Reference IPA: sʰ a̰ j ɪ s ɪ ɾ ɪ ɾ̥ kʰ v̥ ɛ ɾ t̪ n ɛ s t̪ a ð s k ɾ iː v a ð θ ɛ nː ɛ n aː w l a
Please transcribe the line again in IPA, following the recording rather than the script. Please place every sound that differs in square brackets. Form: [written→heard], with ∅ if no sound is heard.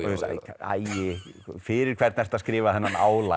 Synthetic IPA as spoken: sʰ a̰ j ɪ [s→f] ɪ ɾ ɪ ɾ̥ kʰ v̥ ɛ ɾ t̪ n ɛ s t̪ a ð s k ɾ [iː→ɪː] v a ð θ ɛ nː [ɛ→a] n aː w l a